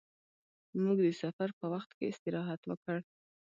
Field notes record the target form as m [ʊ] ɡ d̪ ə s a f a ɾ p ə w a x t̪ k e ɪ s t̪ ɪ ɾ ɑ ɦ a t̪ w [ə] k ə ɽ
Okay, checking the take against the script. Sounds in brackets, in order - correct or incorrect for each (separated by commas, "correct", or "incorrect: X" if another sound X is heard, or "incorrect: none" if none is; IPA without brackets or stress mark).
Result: incorrect: u, correct